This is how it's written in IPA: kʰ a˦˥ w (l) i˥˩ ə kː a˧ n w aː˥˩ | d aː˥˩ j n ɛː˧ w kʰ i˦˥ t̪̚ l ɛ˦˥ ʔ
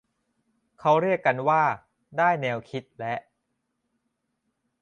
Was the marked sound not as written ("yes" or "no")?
yes